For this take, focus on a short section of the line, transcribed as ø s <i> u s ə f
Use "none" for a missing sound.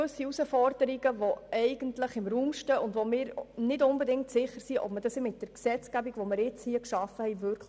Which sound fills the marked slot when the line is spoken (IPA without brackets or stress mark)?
i